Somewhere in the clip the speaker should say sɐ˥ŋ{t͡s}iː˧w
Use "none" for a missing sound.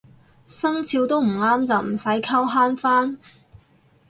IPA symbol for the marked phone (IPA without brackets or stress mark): t͡sʰ